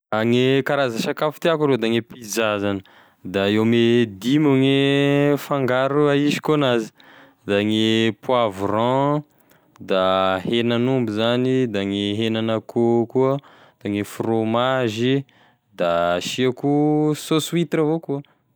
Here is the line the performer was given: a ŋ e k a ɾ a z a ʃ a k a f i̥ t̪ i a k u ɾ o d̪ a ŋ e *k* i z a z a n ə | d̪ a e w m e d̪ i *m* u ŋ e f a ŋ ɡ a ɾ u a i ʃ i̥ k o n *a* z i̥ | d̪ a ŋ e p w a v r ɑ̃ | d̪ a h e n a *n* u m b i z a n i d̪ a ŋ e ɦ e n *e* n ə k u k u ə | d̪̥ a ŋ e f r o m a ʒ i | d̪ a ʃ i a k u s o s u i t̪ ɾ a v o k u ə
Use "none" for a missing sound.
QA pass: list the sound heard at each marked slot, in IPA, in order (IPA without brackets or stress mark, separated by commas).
p, m, a, n, a